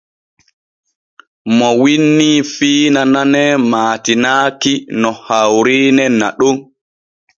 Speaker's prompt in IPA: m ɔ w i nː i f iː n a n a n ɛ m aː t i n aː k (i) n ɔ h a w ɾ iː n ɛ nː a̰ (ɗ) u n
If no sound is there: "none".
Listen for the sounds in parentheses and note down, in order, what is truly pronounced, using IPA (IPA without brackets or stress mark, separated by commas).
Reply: i, ɗ